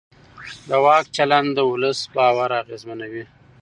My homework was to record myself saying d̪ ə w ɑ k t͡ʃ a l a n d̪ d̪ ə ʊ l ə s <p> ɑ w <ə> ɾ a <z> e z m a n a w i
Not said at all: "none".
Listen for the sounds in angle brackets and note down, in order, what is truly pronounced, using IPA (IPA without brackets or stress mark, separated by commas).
b, a, ɣ